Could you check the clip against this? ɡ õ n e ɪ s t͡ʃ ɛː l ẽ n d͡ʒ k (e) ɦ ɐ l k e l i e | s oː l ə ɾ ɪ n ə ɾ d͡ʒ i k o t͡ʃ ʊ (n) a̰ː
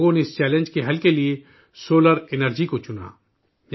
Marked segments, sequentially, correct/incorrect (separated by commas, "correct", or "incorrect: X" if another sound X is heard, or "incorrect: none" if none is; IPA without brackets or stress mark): correct, correct